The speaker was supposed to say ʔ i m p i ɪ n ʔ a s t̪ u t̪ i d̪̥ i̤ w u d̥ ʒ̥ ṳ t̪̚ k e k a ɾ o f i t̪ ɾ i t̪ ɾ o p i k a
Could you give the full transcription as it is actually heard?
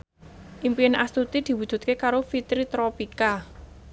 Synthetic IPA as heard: ʔ i m p i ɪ n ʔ a s t̪ u t̪ i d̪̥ i̤ w u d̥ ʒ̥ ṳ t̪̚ k e k a ɾ o f i t̪ ɾ i t̪ ɾ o p i k a